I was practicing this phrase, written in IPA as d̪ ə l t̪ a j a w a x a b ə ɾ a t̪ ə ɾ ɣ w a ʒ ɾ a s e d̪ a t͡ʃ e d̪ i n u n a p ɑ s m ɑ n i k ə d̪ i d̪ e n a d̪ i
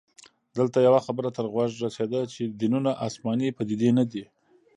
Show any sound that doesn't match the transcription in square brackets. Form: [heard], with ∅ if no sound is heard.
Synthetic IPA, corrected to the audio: d̪ ə l t̪ a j a w a x a b ə ɾ a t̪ ə ɾ ɣ w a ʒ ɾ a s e d̪ a t͡ʃ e d̪ i n u n a [ʔ] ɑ s m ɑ n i [p] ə d̪ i d̪ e n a d̪ i